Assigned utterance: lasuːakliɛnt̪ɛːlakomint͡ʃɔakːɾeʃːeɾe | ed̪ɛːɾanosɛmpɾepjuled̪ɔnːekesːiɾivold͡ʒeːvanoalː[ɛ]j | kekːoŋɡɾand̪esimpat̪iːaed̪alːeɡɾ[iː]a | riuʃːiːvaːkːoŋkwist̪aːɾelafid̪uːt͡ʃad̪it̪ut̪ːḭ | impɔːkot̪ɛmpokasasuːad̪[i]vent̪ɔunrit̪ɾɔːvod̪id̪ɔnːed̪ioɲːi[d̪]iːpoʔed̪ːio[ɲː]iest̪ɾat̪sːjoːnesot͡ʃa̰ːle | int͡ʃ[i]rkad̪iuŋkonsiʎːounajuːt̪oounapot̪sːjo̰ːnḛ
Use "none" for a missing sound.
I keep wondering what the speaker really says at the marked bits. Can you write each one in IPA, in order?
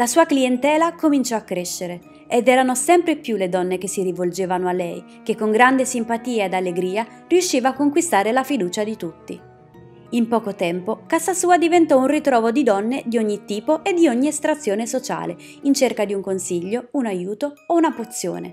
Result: ɛ, iː, i, t̪, ɲː, e

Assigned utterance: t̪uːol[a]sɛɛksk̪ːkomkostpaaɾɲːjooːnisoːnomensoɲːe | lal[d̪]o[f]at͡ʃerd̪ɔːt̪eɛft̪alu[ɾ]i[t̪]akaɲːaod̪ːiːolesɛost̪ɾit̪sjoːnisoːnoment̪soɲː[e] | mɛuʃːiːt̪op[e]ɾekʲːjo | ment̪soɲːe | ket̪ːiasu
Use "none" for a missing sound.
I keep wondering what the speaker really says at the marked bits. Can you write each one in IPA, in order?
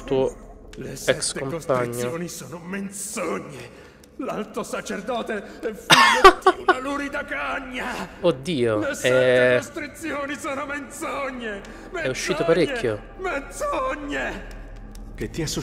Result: e, t̪, s, ɾ, d̪, e, a

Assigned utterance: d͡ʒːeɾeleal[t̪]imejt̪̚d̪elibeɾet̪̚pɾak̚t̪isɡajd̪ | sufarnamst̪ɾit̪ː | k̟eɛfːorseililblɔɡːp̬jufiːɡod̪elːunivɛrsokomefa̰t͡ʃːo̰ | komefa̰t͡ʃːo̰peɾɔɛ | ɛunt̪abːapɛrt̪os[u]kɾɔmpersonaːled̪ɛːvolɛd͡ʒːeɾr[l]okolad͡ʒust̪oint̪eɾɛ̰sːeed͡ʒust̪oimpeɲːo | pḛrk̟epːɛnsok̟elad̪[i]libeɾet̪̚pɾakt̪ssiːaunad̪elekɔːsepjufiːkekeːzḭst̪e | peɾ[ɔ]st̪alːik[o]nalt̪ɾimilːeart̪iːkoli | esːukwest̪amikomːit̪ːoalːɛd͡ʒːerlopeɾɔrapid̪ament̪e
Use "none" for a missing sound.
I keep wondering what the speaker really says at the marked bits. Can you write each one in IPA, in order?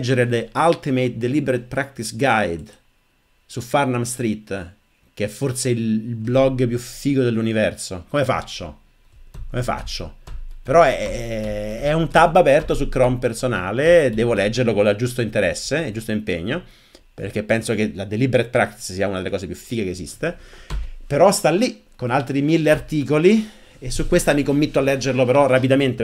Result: t̪, u, l, e, ɔ, o

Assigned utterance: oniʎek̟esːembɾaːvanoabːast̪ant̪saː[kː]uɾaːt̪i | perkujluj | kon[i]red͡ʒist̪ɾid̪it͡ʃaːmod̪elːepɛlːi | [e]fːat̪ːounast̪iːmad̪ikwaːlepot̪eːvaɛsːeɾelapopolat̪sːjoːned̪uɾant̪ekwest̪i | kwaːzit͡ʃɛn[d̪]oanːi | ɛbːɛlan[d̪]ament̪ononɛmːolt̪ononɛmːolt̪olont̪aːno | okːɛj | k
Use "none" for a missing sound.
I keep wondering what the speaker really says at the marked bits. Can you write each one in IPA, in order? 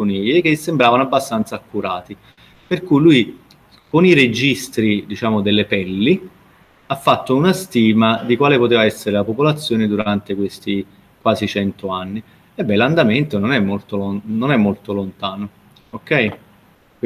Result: kː, i, a, t̪, d̪

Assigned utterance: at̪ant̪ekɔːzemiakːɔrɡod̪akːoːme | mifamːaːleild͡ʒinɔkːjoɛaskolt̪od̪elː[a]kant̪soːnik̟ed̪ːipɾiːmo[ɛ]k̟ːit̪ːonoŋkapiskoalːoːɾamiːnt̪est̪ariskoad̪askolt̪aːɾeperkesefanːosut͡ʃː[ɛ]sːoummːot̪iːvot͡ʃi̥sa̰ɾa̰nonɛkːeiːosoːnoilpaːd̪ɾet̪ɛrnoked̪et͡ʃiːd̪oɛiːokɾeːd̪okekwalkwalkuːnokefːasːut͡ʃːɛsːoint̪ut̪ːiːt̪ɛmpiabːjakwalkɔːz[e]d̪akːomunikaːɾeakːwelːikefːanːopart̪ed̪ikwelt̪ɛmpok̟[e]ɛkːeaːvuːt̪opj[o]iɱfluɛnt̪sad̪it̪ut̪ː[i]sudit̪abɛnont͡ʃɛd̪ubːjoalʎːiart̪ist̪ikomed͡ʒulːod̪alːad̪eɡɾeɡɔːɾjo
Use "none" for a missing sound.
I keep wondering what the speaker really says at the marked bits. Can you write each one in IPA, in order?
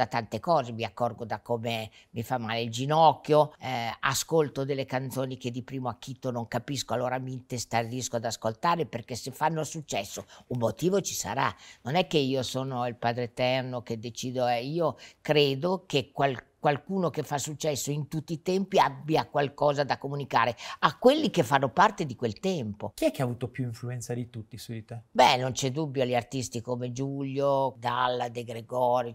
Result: e, a, ɛ, a, i, u, i

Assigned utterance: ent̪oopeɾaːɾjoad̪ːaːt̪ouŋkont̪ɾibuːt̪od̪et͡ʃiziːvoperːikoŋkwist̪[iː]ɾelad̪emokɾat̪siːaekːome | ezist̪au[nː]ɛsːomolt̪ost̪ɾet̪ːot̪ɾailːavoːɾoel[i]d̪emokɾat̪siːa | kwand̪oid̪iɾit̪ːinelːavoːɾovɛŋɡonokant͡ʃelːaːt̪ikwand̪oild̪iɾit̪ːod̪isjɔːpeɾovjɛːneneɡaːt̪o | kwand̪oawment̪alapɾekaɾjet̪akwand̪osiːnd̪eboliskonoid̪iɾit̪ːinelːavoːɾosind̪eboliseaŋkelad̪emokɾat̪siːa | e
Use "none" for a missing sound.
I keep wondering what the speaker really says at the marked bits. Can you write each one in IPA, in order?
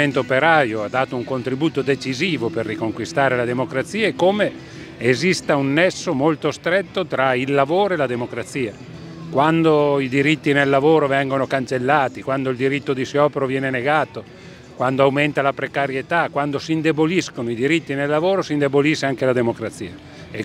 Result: aː, nː, a

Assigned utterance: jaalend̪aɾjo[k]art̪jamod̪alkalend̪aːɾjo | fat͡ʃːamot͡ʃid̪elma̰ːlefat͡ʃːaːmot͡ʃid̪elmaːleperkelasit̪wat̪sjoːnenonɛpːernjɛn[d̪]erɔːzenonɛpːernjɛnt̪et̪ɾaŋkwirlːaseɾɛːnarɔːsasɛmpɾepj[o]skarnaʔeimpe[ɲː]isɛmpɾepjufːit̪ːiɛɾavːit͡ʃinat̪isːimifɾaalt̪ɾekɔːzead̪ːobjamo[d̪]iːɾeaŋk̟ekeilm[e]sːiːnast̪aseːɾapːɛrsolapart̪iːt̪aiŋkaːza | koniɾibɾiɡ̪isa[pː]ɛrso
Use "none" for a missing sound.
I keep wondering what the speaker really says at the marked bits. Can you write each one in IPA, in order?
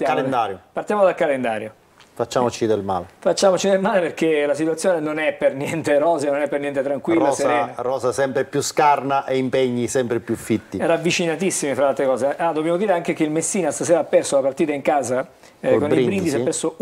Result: p, t̪, u, ɲː, d̪, e, pː

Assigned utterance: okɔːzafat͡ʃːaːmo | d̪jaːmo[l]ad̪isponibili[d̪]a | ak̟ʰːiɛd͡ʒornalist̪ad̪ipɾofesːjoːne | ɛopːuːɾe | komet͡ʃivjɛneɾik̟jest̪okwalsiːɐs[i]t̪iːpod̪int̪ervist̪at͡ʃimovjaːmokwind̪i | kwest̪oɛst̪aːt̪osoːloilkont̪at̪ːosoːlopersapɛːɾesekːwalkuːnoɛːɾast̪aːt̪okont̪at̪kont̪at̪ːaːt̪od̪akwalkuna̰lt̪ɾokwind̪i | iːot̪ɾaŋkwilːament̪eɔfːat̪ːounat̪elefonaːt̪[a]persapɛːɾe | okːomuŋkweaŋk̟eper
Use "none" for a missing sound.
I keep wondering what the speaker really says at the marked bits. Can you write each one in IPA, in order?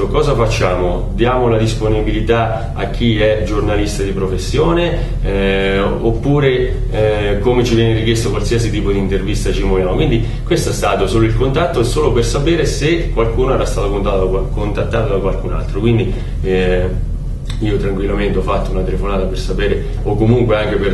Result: l, t̪, i, a

